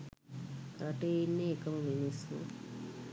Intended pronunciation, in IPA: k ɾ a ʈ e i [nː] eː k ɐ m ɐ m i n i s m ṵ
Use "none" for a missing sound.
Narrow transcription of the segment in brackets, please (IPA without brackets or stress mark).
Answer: nː